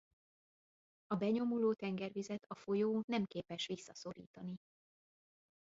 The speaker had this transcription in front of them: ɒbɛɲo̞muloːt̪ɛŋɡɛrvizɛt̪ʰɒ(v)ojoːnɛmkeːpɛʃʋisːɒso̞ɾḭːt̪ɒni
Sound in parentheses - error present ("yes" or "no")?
yes